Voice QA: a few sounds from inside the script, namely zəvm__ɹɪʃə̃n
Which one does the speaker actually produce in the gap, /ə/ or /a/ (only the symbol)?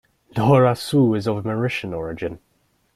ə